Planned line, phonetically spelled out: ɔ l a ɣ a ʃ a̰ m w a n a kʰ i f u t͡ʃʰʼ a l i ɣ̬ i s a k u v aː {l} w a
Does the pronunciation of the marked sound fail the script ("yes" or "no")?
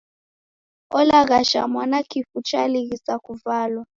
no